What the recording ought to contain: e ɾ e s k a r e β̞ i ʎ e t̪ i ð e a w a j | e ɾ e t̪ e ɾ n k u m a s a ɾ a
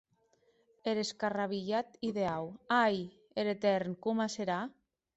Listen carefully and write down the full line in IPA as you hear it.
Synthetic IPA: e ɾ e s k a r a β̞ i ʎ a t̪ i ð e a w a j | e ɾ e t̪ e ɾ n k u m a s e ɾ a